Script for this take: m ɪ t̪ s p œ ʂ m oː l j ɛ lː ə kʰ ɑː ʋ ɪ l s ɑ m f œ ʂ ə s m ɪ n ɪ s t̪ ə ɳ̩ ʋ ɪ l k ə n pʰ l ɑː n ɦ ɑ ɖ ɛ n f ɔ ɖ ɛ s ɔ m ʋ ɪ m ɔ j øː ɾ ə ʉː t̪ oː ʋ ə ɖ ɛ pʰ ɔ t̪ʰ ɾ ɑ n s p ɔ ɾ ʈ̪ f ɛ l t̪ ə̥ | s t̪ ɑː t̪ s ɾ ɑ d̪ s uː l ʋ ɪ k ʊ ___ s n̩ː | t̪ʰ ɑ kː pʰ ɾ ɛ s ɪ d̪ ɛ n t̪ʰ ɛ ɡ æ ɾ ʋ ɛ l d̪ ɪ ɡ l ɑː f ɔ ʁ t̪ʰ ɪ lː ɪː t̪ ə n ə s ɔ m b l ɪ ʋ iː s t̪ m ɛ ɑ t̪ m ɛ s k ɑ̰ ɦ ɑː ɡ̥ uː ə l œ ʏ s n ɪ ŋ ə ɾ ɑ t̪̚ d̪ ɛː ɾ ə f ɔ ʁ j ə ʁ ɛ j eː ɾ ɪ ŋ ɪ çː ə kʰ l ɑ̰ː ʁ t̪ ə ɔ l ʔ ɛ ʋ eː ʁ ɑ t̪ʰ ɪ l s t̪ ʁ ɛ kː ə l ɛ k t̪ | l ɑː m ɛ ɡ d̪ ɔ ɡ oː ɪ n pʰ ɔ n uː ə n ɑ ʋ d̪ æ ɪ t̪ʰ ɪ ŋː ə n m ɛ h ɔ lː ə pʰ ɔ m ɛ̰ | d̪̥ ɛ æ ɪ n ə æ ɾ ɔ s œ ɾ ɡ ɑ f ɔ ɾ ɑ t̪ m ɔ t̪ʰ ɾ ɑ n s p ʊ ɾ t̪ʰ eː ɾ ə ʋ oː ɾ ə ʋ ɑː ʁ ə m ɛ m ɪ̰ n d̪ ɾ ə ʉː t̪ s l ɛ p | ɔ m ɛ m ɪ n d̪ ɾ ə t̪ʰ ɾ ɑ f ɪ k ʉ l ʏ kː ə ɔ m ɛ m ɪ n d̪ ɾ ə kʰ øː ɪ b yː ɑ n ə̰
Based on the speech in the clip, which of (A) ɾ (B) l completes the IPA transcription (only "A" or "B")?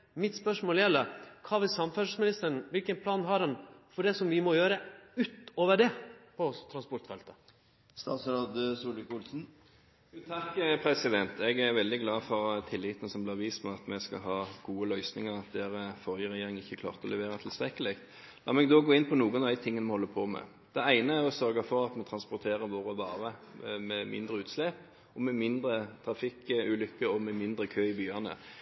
B